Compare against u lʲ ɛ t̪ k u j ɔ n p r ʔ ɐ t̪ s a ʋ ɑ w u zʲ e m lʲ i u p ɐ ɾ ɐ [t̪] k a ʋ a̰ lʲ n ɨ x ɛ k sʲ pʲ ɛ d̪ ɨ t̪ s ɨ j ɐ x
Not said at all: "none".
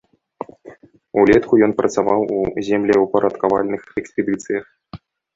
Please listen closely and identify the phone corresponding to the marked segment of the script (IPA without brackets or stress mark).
t̪